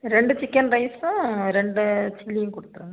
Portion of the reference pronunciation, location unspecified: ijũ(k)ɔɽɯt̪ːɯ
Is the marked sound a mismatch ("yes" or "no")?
no